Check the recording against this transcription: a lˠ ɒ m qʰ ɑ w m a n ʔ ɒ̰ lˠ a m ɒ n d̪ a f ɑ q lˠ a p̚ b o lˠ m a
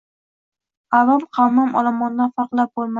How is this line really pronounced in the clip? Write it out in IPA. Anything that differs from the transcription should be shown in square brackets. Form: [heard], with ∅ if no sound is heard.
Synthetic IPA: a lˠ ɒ m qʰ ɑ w m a [m] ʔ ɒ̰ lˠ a m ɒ n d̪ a f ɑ q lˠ a p̚ b o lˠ m a